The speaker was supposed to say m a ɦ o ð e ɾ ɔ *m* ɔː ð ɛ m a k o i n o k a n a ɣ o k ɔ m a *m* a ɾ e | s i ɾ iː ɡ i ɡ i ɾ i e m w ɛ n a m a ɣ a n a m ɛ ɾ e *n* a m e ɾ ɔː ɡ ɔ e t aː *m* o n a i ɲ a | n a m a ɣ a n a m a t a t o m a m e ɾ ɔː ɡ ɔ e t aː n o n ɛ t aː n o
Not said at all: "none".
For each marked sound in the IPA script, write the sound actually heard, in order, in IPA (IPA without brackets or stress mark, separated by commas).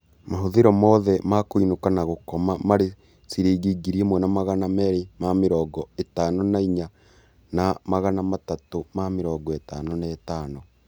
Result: m, m, m, n